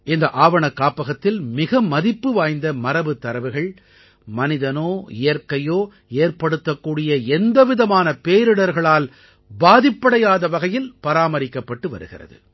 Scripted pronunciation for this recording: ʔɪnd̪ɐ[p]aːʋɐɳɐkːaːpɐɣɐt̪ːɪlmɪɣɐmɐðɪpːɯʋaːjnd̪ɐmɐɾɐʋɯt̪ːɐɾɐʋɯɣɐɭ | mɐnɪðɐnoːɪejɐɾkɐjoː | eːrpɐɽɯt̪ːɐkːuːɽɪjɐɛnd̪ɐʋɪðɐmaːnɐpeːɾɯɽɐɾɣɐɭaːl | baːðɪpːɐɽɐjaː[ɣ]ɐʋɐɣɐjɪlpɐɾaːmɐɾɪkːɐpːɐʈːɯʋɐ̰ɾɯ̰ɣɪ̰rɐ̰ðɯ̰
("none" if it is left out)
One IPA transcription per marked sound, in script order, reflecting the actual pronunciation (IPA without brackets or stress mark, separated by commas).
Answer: ʔ, ð